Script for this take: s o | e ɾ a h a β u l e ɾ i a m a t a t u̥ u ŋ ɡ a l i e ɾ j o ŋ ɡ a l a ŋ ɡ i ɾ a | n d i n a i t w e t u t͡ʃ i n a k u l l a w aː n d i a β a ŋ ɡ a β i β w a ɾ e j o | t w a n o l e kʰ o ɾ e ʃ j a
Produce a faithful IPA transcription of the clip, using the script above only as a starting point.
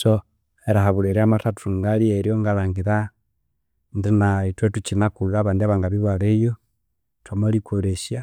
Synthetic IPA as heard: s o | e ɾ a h a β u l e ɾ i a m a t a t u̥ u ŋ ɡ a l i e ɾ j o ŋ ɡ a l a ŋ ɡ i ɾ a | n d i n a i t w e t u t͡ʃ i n a k u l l a β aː n d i a β a ŋ ɡ a β i β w a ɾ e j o | t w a m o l i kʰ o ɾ e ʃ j a